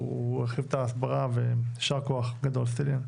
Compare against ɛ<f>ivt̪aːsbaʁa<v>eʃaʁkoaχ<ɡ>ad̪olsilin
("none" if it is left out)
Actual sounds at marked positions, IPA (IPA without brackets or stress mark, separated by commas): χ, v, ɡ